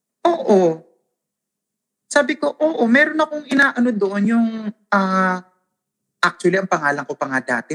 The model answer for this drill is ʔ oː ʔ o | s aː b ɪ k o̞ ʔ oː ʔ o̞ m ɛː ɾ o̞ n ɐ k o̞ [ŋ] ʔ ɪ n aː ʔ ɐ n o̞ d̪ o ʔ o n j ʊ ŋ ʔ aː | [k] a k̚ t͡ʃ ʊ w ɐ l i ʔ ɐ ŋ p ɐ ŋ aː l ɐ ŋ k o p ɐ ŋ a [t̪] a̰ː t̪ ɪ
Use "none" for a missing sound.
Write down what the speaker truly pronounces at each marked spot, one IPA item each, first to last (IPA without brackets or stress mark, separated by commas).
ŋ, ʔ, d̪